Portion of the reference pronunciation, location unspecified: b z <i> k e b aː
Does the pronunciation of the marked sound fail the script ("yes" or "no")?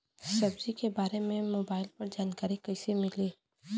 no